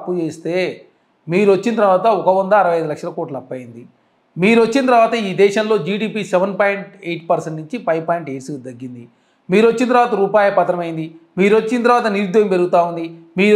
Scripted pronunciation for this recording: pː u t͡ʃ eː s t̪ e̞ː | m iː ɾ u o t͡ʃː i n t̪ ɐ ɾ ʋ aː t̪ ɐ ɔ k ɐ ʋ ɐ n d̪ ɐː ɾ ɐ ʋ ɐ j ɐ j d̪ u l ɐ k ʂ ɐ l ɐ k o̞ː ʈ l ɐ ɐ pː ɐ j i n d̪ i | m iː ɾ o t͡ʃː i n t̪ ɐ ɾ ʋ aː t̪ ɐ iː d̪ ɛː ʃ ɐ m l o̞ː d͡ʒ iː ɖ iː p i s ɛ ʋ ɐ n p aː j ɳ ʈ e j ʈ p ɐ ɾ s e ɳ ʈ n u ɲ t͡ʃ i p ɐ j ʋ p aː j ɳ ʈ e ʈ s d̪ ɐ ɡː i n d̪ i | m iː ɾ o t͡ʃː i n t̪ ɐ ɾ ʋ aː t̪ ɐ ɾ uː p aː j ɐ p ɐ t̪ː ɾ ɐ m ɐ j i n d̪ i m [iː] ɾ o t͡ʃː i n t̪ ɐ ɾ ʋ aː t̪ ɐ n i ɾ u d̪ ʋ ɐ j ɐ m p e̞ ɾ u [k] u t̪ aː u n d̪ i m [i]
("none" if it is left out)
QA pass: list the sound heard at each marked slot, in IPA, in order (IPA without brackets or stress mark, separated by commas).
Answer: iː, ɡ, iː